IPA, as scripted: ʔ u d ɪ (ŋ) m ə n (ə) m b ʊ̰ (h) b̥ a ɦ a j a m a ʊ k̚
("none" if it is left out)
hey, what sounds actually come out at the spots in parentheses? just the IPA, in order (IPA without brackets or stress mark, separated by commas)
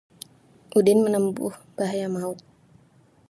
n, ə, h